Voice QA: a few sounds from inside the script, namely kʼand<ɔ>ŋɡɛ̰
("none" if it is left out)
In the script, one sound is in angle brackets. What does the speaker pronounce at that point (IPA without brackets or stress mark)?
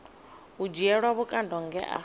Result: ɔ